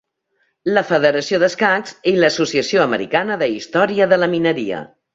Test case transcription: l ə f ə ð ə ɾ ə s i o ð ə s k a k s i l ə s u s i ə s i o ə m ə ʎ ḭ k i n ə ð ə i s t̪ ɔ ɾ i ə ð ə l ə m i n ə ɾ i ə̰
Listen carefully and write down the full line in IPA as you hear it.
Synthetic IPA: l ə f ə ð ə ɾ ə s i o ð ə s k a k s i l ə s u s i ə s i o ə m ə ɾ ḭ k a n ə ð ə i s t̪ ɔ ɾ i ə ð ə l ə m i n ə ɾ i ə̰